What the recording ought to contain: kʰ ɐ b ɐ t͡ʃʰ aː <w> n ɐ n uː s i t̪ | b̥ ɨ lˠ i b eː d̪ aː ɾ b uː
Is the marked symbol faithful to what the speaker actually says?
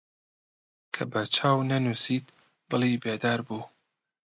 yes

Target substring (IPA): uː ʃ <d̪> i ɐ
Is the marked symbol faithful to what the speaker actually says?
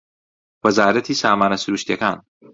no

